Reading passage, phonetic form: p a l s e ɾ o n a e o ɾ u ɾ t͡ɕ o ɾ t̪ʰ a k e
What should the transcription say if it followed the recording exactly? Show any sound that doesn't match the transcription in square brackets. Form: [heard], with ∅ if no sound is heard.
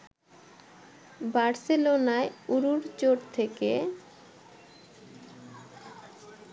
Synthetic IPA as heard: [b] a [ɾ] s e [l] o n a e [u] ɾ u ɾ t͡ɕ o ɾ t̪ʰ [e] k e